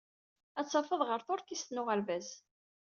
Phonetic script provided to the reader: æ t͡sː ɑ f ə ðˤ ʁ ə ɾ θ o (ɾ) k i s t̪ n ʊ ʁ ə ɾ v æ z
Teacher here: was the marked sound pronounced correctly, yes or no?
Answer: yes